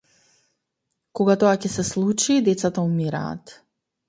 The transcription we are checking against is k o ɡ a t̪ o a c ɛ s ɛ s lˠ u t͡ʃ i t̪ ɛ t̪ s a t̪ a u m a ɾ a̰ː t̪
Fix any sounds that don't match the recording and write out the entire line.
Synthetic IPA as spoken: k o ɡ a t̪ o a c ɛ s ɛ s lˠ u t͡ʃ i d̪ ɛ t̪ s a t̪ a u m i ɾ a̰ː t̪